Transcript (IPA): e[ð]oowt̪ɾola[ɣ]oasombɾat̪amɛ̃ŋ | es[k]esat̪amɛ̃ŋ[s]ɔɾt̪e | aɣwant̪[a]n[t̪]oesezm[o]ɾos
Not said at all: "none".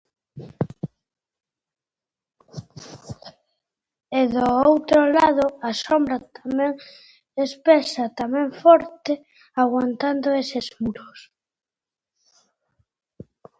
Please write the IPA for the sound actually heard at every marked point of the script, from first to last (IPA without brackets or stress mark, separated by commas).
ð, ð, p, f, a, d̪, u